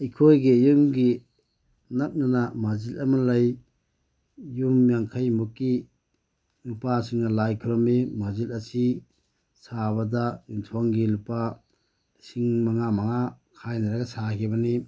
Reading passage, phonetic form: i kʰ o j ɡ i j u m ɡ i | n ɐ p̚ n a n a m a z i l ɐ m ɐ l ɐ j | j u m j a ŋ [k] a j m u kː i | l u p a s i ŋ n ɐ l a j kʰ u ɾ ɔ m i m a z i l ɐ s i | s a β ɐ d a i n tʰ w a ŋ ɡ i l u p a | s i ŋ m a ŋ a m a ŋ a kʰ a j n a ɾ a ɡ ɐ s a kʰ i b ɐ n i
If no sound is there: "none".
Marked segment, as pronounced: kʰ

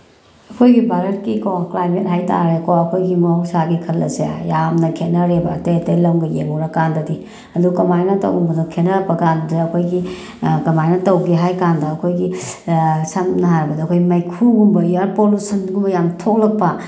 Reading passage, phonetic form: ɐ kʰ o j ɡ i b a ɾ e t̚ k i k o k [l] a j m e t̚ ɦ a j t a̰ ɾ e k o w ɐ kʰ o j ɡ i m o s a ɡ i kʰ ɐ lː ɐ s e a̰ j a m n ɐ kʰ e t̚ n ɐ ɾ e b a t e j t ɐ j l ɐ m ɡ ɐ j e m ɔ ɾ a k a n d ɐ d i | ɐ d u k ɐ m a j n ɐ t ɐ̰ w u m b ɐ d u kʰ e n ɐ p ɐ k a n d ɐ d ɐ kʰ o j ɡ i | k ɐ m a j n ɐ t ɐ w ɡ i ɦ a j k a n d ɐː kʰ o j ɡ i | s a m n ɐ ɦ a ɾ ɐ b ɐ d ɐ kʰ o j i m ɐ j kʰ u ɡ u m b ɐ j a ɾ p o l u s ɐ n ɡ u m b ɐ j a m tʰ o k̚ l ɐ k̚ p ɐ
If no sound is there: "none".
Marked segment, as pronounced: l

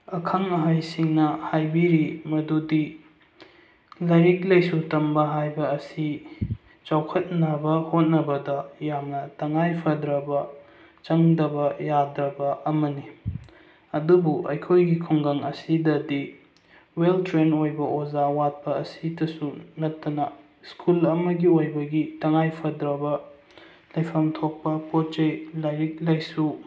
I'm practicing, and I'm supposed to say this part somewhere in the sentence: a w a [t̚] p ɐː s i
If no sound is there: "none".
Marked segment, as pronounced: t̚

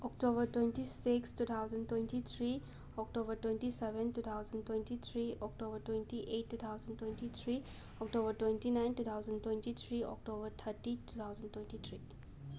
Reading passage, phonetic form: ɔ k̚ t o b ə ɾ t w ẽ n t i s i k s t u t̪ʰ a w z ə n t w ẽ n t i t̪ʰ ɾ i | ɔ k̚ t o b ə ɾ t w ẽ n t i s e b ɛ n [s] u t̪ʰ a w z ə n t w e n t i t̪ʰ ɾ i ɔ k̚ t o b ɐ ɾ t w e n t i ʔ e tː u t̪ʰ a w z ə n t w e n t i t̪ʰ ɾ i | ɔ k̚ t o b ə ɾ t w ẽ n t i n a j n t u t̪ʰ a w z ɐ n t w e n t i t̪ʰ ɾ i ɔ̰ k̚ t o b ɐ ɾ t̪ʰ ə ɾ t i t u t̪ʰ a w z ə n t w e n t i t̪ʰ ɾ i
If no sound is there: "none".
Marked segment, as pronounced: t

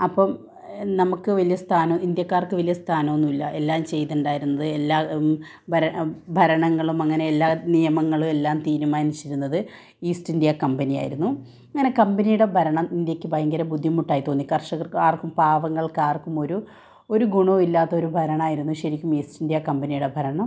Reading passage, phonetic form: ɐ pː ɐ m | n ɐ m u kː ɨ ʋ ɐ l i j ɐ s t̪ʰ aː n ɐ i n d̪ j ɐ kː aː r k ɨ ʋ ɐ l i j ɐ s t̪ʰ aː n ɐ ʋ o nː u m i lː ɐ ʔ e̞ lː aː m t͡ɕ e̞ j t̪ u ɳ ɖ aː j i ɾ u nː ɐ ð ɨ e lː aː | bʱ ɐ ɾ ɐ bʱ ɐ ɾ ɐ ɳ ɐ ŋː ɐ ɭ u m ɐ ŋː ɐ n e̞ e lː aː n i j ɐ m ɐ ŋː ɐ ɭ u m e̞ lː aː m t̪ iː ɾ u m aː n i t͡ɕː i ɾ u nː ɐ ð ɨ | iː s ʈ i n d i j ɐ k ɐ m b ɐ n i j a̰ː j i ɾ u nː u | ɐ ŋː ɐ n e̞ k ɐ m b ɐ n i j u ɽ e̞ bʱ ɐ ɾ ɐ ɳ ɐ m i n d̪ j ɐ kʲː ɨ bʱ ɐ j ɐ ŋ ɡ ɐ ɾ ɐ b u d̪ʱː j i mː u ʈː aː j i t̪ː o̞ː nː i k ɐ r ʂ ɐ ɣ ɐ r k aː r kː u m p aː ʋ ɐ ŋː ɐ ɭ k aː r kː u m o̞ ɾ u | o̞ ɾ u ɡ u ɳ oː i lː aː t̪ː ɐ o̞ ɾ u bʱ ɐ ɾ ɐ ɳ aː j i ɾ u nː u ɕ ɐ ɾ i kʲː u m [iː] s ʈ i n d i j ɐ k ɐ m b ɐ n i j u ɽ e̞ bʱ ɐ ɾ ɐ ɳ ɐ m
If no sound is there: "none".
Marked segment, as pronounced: iː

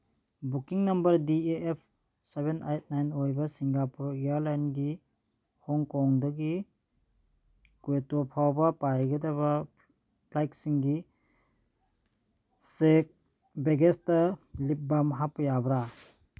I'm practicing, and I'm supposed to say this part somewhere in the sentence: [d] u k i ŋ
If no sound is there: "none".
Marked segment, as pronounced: b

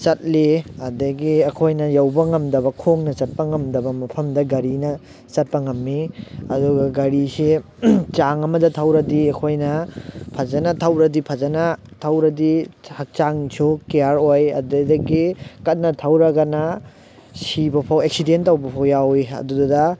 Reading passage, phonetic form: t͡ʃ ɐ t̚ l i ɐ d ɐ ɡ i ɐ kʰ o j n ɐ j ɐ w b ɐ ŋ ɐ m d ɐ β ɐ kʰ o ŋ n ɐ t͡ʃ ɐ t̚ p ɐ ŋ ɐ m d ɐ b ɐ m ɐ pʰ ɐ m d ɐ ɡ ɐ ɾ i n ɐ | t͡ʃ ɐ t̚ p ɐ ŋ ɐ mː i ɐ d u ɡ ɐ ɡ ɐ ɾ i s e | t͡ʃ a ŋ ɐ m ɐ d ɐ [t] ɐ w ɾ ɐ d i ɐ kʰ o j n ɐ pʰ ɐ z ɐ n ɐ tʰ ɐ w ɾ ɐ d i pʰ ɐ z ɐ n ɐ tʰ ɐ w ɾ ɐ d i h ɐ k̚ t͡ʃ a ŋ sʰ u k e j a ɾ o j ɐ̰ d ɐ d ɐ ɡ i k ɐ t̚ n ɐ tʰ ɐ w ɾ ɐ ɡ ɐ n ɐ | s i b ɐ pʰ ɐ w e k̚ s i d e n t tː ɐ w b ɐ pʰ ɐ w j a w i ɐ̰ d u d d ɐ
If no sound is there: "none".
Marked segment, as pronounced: tʰ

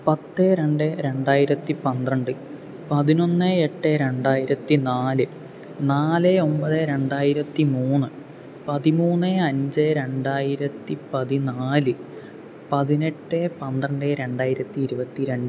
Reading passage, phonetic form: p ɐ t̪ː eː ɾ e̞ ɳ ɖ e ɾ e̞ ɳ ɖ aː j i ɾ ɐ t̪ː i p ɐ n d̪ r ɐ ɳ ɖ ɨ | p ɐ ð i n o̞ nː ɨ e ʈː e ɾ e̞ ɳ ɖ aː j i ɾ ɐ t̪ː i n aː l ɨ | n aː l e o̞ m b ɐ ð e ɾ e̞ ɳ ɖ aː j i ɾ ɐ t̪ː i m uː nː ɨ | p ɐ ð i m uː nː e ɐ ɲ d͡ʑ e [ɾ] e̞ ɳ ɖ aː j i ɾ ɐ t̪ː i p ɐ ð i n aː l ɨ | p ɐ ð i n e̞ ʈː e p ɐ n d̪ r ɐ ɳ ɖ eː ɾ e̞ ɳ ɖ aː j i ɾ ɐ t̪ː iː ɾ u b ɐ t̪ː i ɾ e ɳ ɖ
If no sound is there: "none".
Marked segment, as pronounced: ɾ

